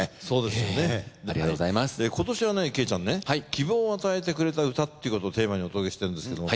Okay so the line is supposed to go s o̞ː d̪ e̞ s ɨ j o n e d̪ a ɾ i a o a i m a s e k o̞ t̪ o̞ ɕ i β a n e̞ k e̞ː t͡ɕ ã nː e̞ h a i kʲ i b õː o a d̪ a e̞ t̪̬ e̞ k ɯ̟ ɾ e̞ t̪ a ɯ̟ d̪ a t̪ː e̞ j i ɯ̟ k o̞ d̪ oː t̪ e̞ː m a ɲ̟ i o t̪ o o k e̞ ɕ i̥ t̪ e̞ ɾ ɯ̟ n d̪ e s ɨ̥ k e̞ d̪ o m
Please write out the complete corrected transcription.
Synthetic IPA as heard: s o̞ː d̪ e̞ s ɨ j o n e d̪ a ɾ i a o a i m a s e k o̞ t̪ o̞ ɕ i β a n e̞ k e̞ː t͡ɕ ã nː e̞ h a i kʲ i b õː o a t̪ a e̞ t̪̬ e̞ k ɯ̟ ɾ e̞ t̪ a ɯ̟ t̪ a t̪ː e̞ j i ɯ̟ k o̞ t̪ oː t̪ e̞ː m a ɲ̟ i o t̪ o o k e̞ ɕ i̥ t̪ e̞ ɾ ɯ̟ n d̪ e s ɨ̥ k e̞ d̪ o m